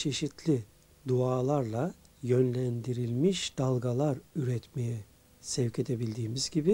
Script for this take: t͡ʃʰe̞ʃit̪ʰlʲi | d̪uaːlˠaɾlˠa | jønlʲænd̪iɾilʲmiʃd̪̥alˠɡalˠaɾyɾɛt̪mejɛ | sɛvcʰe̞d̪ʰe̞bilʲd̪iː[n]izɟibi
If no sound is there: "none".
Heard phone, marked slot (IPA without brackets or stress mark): m